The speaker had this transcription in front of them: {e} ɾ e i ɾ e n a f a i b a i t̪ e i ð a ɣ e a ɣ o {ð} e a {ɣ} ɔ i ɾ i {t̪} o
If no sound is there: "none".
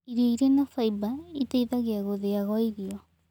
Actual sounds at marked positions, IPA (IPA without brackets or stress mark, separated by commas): i, ð, ɣ, none